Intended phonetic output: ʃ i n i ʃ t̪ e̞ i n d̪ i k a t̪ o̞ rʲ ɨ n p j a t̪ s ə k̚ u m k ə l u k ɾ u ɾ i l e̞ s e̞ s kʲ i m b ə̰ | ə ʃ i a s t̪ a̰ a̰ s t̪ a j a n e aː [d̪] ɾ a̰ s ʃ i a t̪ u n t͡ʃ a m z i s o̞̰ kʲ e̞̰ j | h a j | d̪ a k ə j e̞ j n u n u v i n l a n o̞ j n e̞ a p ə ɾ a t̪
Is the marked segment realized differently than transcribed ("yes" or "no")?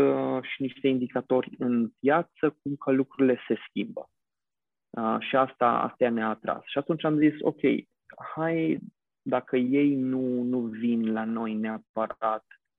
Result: yes